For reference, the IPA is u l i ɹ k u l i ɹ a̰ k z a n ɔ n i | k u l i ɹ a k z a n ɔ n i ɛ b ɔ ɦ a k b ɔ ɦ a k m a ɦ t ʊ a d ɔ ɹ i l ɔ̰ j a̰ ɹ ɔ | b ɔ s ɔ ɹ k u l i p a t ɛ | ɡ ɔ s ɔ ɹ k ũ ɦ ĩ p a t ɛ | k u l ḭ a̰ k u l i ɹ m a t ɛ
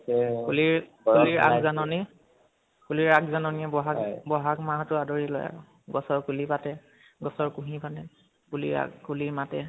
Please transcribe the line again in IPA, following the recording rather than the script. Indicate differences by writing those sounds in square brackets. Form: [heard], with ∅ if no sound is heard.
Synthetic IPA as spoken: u l i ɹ k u l i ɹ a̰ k z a n ɔ n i | k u l i ɹ a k z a n ɔ n i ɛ b ɔ ɦ a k b ɔ ɦ a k m a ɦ t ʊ a d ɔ ɹ i l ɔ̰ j a̰ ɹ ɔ | [ɡ] ɔ s ɔ ɹ k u l i p a t ɛ | ɡ ɔ s ɔ ɹ k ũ ɦ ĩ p a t ɛ | k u l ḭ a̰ k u l i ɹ m a t ɛ